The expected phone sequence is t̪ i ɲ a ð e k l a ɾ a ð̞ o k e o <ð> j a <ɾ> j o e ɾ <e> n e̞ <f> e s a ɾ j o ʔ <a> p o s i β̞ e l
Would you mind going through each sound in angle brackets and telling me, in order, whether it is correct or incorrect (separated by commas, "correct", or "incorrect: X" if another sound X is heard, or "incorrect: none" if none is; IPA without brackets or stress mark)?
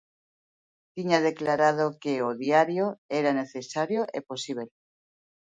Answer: correct, correct, incorrect: a, incorrect: θ, incorrect: e